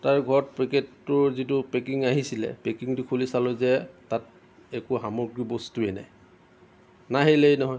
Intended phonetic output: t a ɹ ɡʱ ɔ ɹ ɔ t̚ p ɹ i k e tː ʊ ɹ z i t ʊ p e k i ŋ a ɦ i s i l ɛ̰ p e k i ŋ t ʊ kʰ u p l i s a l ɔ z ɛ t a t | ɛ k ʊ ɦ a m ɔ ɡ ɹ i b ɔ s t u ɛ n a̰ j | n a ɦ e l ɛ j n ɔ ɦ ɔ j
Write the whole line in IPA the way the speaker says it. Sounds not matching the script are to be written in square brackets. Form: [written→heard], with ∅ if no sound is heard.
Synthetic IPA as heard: t a ɹ ɡʱ ɔ ɹ ɔ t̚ p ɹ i k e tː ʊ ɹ z i t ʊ p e k i ŋ a ɦ i s i l ɛ̰ p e k i ŋ t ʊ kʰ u [p→∅] l i s a l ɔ z ɛ t a t | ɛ k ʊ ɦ a m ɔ ɡ ɹ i b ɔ s t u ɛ n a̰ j | n a ɦ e l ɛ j n ɔ ɦ ɔ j